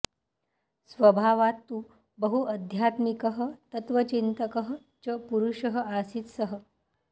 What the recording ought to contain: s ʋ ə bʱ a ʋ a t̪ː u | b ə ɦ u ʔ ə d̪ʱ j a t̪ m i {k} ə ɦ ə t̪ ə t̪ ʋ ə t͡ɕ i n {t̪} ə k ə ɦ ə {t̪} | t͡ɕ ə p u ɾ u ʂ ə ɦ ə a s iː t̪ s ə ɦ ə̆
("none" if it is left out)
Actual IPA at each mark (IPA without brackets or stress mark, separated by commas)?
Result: k, t̪, none